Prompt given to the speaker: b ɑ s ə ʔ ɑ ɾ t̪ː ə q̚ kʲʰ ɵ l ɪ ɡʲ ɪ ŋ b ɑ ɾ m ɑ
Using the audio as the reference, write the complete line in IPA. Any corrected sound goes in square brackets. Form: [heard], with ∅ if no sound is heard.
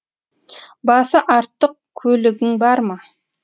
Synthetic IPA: b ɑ s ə ʔ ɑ ɾ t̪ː ə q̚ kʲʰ ɵ l ɪ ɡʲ ɪ ŋ b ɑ ɾ m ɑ